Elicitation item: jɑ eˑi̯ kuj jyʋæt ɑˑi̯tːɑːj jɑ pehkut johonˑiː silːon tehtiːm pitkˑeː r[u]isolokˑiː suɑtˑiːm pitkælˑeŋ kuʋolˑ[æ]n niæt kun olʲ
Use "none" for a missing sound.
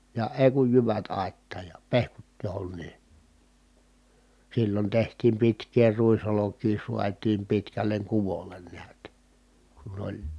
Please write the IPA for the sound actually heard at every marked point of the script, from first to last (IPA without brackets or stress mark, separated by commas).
u, e